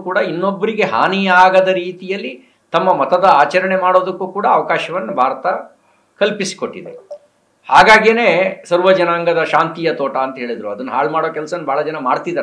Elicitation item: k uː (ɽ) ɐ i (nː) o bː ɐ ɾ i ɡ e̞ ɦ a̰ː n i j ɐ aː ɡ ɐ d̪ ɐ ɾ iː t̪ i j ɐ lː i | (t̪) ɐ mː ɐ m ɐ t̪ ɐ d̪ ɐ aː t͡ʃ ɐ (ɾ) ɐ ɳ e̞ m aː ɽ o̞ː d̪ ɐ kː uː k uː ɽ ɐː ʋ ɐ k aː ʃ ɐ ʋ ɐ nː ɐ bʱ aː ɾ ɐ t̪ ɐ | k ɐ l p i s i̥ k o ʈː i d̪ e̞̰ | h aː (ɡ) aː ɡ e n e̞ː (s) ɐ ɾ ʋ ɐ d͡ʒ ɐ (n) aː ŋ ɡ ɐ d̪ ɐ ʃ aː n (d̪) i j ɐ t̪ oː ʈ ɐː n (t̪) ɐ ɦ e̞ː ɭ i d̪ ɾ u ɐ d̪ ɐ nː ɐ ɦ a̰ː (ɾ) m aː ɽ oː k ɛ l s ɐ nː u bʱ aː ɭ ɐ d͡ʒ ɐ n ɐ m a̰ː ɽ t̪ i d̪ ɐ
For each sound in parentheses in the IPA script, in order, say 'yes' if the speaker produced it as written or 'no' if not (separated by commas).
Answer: yes, yes, yes, yes, yes, yes, yes, no, yes, no